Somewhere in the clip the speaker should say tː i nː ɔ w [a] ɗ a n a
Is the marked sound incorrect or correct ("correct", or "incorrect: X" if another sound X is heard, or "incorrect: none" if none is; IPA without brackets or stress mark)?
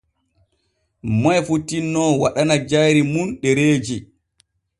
correct